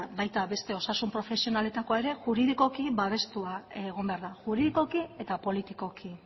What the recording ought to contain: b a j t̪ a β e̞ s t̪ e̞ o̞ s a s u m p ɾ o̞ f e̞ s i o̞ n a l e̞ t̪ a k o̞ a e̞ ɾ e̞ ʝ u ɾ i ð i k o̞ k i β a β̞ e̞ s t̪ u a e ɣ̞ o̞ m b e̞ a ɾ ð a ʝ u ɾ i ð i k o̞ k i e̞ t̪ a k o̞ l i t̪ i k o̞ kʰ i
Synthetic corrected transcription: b a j t̪ a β e̞ s t̪ e̞ o̞ s a s u m p ɾ o̞ f e̞ s i o̞ n a l e̞ t̪ a k o̞ a e̞ ɾ e̞ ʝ u ɾ i ð i k o̞ k i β a β̞ e̞ s t̪ u a e ɣ̞ o̞ m b e̞ a ɾ ð a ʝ u ɾ i ð i k o̞ k i e̞ t̪ a p o̞ l i t̪ i k o̞ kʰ i